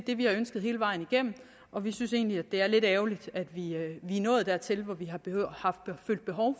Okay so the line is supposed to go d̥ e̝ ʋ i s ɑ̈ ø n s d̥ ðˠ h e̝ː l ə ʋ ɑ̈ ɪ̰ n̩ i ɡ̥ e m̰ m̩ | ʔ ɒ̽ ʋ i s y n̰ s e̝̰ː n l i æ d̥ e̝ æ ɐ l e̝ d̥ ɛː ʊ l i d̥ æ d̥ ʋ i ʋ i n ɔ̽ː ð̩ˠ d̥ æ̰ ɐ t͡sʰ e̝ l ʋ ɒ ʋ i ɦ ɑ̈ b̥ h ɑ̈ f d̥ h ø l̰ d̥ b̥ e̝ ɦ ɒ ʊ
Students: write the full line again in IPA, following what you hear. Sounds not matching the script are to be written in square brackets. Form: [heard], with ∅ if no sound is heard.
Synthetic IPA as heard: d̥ e̝ ʋ i [h] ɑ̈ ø n s [ɡ̥] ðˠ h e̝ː l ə ʋ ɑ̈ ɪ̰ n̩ i ɡ̥ e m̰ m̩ | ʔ ɒ̽ ʋ i s y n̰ s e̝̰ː n l i æ d̥ e̝ æ ɐ l e̝ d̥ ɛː ʊ l i d̥ æ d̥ ʋ i ʋ i n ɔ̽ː ð̩ˠ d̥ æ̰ ɐ t͡sʰ e̝ l ʋ ɒ ʋ i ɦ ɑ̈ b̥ h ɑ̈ f d̥ [f] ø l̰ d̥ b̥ e̝ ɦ ɒ ʊ